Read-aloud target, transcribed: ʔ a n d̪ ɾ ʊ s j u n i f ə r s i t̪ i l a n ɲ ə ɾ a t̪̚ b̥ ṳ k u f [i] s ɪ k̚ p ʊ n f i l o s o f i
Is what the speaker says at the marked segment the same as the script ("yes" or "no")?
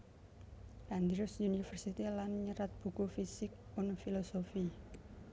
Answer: yes